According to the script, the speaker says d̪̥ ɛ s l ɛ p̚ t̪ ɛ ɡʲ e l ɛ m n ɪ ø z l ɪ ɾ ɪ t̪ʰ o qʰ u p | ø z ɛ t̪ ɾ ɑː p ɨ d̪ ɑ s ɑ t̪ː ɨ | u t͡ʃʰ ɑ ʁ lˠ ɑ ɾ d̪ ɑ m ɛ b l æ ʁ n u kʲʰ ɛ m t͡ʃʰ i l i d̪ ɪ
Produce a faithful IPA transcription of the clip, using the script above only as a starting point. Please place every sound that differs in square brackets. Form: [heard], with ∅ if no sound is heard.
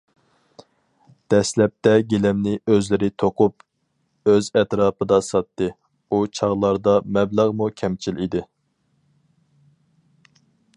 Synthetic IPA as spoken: d̪̥ ɛ s l ɛ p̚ t̪ ɛ ɡʲ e l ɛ m n ɪ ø z l ɪ ɾ ɪ t̪ʰ o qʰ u p | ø z ɛ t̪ ɾ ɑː p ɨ d̪ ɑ s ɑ t̪ː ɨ | u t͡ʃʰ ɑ ʁ lˠ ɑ ɾ d̪ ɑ m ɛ b l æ ʁ [m] u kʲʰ ɛ m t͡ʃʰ i l i d̪ ɪ